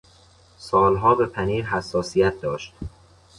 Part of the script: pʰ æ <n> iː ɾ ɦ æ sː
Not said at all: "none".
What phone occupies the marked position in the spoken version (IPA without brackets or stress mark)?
n